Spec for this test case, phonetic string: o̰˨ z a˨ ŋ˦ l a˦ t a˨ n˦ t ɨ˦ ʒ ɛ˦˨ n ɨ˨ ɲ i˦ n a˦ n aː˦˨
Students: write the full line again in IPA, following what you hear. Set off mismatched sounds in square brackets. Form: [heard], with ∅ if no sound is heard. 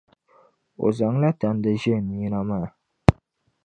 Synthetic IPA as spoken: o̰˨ z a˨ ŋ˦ l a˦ t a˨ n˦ [d] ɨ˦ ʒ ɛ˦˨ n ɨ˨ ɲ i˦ n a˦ [m] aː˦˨